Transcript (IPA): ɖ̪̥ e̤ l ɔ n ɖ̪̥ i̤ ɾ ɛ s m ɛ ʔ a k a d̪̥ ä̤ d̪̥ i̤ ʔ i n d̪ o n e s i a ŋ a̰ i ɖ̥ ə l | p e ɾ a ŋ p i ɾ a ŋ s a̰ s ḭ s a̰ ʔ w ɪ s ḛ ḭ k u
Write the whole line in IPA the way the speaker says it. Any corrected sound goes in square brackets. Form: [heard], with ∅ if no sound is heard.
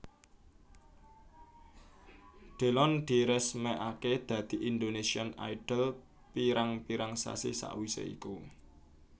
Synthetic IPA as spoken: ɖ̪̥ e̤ l ɔ n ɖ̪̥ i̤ ɾ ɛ s m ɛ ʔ a k [e] d̪̥ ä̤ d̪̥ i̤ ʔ i n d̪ o n e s i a [n] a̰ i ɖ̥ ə l | p [i] ɾ a ŋ p i ɾ a ŋ s a̰ s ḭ s a̰ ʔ w [i] s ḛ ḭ k u